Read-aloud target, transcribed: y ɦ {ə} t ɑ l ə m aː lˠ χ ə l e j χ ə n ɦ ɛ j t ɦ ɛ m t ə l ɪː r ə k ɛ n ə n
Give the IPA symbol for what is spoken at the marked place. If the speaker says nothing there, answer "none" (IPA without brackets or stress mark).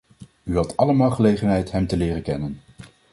ɑ